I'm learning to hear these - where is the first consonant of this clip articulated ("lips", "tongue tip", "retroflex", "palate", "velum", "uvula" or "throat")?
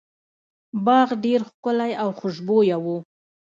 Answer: lips